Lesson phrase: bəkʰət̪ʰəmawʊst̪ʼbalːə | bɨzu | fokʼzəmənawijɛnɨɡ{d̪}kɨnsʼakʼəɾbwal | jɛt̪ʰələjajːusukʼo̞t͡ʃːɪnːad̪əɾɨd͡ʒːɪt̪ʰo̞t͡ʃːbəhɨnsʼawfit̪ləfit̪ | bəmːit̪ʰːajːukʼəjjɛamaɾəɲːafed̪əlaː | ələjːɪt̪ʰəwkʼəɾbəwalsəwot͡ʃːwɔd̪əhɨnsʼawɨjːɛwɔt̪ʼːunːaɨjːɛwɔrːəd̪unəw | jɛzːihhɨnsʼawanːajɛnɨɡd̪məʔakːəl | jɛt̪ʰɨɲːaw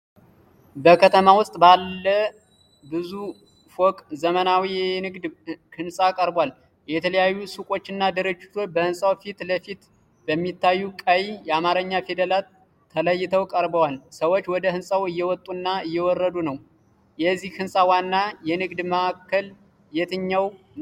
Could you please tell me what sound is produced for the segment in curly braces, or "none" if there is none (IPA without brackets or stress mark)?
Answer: d̪